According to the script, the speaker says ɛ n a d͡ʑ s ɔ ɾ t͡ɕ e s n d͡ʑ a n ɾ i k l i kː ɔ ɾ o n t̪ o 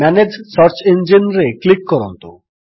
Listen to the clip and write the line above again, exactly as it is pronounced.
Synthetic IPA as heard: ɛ n e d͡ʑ s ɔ ɾ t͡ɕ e n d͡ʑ i n ɾ e k l i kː ɔ ɾ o n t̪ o